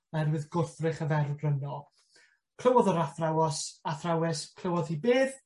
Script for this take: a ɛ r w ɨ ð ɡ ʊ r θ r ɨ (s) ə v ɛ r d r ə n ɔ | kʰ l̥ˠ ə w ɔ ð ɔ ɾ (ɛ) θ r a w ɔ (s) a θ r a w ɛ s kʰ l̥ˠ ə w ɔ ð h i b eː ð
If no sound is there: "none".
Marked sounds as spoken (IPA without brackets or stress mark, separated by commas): χ, a, s